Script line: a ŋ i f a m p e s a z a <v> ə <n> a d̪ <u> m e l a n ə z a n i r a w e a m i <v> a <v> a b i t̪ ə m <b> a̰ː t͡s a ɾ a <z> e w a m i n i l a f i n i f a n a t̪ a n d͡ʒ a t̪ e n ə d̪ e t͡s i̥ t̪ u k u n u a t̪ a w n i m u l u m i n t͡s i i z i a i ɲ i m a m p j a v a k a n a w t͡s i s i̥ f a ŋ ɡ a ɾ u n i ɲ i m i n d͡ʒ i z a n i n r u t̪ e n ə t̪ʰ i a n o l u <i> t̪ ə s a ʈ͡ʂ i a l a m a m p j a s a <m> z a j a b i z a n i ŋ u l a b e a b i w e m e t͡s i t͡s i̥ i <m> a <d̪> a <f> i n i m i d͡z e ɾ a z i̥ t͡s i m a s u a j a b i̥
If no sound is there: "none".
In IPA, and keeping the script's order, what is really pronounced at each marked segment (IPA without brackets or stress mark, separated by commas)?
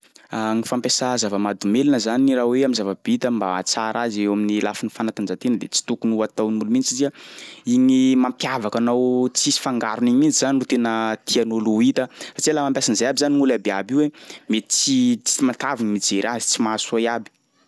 v, m, u, z, v, b, z, i, n, m, t̪, v